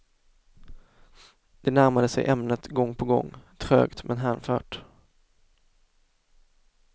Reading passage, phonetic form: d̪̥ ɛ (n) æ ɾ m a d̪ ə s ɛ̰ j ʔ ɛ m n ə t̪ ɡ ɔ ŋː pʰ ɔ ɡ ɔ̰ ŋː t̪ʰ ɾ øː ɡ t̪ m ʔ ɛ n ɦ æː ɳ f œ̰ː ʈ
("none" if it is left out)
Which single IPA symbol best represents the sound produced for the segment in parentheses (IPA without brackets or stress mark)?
n